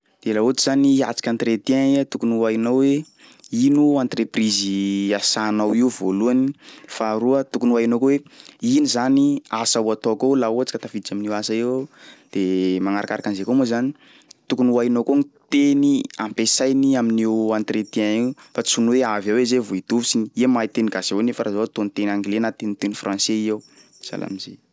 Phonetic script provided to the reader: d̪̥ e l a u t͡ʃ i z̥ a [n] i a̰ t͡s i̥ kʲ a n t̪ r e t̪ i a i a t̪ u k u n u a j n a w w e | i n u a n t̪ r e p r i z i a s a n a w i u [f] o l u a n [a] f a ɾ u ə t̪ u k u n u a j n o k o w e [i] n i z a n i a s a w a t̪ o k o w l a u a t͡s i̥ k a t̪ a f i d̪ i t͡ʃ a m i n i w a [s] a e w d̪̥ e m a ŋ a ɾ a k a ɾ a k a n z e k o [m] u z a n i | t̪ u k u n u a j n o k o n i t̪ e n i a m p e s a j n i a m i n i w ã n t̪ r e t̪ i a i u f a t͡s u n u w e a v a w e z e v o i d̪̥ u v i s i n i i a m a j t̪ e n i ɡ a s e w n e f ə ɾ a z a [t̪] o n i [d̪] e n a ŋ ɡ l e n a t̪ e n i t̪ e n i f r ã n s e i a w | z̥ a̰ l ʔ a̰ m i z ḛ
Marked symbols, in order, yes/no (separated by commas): yes, no, no, yes, yes, yes, yes, no